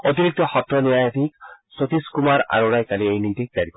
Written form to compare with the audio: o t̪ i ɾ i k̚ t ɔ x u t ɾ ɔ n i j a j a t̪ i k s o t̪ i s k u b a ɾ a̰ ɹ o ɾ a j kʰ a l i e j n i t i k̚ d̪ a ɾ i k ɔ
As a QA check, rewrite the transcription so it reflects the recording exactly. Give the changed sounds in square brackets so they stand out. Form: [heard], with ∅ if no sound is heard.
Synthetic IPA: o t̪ i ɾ i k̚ t ɔ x [ɔ] t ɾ ɔ n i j a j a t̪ i k s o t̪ i s k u [m] a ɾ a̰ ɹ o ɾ a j [k] a l i e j n i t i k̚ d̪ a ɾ i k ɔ